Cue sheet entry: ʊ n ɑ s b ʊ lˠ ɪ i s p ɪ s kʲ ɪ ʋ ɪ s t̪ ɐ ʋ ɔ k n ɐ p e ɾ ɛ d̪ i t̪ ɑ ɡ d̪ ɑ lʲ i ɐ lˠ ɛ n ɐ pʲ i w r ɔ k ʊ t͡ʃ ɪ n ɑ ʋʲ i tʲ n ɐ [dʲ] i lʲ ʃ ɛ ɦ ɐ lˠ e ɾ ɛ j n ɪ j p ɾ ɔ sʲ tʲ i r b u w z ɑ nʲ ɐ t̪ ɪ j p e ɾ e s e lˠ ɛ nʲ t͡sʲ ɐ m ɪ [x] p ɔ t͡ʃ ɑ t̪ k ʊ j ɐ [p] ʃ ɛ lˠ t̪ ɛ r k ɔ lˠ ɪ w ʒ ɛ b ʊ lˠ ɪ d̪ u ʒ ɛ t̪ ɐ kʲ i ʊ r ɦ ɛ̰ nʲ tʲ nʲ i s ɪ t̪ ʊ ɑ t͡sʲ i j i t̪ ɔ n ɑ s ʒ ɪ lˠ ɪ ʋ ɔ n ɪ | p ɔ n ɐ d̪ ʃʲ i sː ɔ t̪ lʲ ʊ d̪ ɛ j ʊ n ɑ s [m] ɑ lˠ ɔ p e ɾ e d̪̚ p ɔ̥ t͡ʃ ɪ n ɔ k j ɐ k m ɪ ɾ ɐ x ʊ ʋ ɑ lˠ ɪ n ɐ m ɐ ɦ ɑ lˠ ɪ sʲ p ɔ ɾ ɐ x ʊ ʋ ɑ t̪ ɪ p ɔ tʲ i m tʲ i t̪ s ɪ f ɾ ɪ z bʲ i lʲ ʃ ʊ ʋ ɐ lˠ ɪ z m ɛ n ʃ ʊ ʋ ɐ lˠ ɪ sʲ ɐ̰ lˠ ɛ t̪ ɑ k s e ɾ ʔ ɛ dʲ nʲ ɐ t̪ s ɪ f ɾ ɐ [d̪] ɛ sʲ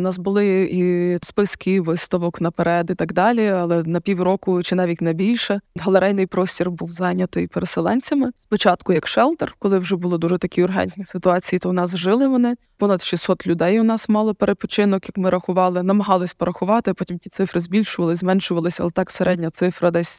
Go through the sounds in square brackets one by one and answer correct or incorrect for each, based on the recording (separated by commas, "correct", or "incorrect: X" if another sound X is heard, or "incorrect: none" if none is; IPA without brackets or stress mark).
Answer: incorrect: bʲ, incorrect: s, incorrect: k, correct, correct